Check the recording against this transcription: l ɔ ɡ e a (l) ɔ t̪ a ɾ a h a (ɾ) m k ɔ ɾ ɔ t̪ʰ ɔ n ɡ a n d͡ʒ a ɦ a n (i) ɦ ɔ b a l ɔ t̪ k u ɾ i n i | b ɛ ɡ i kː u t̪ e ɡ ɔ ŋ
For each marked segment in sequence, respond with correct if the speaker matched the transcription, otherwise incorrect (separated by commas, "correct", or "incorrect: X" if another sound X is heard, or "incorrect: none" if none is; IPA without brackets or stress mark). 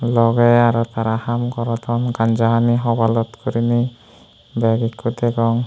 incorrect: ɾ, incorrect: none, correct